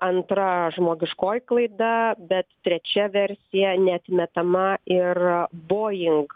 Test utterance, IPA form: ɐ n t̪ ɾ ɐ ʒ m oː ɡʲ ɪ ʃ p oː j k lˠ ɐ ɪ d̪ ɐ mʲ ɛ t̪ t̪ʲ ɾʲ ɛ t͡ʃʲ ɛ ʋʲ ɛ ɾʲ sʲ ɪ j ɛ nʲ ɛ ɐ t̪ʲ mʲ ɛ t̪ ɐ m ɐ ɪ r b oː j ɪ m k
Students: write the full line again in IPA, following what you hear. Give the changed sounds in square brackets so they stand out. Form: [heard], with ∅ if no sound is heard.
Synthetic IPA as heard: ɐ n t̪ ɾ ɐ ʒ m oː ɡʲ ɪ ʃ [k] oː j k lˠ ɐ ɪ d̪ ɐ [bʲ] ɛ t̪ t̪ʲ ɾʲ ɛ t͡ʃʲ ɛ ʋʲ ɛ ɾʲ sʲ ɪ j ɛ nʲ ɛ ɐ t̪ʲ mʲ ɛ t̪ ɐ m ɐ ɪ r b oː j ɪ [ŋ] k

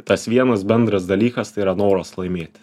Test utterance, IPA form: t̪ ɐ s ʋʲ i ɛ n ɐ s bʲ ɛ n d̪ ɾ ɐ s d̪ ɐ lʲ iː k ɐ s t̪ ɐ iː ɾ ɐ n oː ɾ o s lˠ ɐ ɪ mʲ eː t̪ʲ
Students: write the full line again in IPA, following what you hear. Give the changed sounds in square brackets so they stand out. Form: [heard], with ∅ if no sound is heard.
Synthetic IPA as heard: t̪ ɐ s ʋʲ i ɛ n ɐ s bʲ ɛ n d̪ ɾ ɐ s d̪ ɐ lʲ iː k ɐ s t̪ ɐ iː ɾ ɐ n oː ɾ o s lˠ ɐ ɪ mʲ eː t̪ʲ

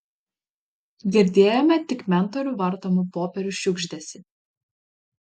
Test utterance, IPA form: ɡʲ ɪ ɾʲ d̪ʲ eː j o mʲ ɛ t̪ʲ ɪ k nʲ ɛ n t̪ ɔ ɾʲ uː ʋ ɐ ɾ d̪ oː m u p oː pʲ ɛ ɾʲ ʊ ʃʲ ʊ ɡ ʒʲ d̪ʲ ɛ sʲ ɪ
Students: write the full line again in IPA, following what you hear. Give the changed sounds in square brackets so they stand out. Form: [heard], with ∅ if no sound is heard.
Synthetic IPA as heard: ɡʲ ɪ ɾʲ d̪ʲ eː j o mʲ ɛ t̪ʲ ɪ k [mʲ] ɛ n t̪ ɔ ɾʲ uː ʋ ɐ ɾ [t̪] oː m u p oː pʲ ɛ ɾʲ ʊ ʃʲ ʊ ɡ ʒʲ d̪ʲ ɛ sʲ ɪ

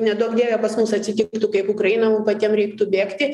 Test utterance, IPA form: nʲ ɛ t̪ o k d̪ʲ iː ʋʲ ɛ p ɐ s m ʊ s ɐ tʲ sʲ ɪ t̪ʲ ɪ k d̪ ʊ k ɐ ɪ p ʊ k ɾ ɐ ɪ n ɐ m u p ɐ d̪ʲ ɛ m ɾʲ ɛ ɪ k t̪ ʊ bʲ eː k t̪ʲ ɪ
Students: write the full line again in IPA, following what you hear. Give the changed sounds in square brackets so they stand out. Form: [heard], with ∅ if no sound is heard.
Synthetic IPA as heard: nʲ ɛ [d̪] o k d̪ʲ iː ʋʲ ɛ p ɐ s m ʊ s ɐ tʲ sʲ ɪ t̪ʲ ɪ k [t̪] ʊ k ɐ ɪ p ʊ k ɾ ɐ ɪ n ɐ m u p ɐ [t̪ʲ] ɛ m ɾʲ ɛ ɪ k t̪ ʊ bʲ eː k t̪ʲ ɪ

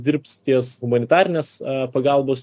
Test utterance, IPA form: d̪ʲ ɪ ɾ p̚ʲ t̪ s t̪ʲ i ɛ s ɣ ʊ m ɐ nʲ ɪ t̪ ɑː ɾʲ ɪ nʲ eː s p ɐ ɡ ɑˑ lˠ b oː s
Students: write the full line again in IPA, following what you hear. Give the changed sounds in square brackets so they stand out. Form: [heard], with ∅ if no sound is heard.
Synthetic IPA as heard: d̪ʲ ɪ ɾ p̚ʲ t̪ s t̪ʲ i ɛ s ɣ ʊ m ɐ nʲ ɪ t̪ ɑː ɾʲ ɪ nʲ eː s p ɐ ɡ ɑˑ lˠ b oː s

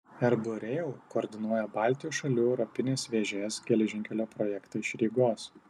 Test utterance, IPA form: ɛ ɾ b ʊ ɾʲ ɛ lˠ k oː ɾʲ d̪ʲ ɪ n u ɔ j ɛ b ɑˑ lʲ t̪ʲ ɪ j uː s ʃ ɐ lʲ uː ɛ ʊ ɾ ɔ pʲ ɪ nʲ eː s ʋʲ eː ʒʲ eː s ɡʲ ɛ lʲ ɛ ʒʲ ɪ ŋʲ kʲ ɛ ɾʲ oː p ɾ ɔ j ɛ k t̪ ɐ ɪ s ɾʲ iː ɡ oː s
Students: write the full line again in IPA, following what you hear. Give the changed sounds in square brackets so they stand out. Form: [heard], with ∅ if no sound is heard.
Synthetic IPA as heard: ɛ ɾ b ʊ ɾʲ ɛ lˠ k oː ɾʲ d̪ʲ ɪ n u ɔ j ɛ b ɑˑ lʲ t̪ʲ ɪ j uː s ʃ ɐ lʲ uː ɛ ʊ ɾ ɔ pʲ ɪ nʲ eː s ʋʲ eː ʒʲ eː s ɡʲ ɛ lʲ ɛ ʒʲ ɪ ŋʲ kʲ ɛ [lʲ] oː p ɾ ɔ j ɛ k t̪ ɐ ɪ [ʃ] ɾʲ iː ɡ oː s

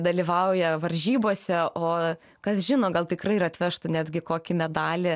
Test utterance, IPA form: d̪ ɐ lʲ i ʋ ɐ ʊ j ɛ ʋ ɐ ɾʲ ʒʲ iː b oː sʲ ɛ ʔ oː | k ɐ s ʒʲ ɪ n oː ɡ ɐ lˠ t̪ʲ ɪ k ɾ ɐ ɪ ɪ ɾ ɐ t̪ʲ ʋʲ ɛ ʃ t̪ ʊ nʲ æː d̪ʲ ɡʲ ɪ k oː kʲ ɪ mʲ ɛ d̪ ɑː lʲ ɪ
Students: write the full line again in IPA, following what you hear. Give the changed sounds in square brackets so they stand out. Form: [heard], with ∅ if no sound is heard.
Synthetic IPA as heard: d̪ ɐ lʲ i ʋ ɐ ʊ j ɛ ʋ ɐ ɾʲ ʒʲ iː b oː sʲ ɛ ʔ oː | k ɐ s ʒʲ ɪ n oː ɡ ɐ lˠ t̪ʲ ɪ k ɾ ɐ ɪ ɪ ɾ ɐ t̪ʲ ʋʲ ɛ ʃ t̪ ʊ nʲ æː d̪ʲ ɡʲ ɪ k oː kʲ ɪ mʲ ɛ d̪ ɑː lʲ ɪ

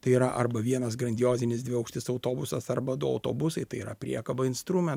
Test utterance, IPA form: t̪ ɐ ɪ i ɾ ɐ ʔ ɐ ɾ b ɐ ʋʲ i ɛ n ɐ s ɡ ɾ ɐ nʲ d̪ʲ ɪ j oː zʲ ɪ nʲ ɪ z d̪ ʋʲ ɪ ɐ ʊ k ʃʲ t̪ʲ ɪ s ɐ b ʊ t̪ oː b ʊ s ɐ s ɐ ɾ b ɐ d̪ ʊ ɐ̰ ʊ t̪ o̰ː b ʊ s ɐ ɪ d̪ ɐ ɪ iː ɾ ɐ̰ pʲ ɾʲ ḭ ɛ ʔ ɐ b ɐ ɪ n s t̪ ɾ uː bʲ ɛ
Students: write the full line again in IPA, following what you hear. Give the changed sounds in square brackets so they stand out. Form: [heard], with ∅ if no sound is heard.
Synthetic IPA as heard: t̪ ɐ ɪ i ɾ ɐ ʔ ɐ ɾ b ɐ ʋʲ i ɛ n ɐ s ɡ ɾ ɐ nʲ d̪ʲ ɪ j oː zʲ ɪ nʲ ɪ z d̪ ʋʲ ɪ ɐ ʊ k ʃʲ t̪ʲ ɪ s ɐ [∅] ʊ t̪ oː b ʊ s ɐ s ɐ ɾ b ɐ d̪ ʊ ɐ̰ ʊ t̪ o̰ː b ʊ s ɐ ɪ [t̪] ɐ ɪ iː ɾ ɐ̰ pʲ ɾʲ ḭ ɛ [k] ɐ b ɐ ɪ n s t̪ ɾ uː [mʲ] ɛ

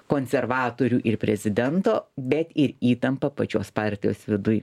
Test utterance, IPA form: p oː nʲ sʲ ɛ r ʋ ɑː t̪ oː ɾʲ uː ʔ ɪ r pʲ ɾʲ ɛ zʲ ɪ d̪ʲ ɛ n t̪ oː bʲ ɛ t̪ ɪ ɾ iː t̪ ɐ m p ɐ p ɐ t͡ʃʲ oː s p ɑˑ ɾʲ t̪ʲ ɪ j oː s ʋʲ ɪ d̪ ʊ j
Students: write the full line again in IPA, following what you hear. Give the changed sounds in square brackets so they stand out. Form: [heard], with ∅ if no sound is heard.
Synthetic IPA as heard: [k] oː nʲ sʲ ɛ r ʋ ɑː t̪ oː ɾʲ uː ʔ ɪ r pʲ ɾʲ ɛ zʲ ɪ d̪ʲ ɛ n t̪ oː bʲ ɛ t̪ ɪ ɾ iː t̪ ɐ m p ɐ p ɐ t͡ʃʲ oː s p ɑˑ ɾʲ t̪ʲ ɪ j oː s ʋʲ ɪ d̪ ʊ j

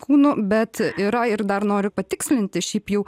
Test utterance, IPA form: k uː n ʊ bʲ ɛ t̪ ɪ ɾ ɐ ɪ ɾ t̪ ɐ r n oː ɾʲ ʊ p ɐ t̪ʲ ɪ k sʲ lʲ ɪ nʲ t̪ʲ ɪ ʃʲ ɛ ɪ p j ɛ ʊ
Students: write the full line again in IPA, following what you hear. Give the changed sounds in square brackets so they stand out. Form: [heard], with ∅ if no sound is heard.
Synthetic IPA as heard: k uː n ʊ bʲ ɛ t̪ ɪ ɾ ɐ ɪ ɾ [d̪] ɐ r n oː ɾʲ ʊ p ɐ t̪ʲ ɪ k sʲ lʲ ɪ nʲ t̪ʲ ɪ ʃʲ ɛ ɪ p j ɛ ʊ

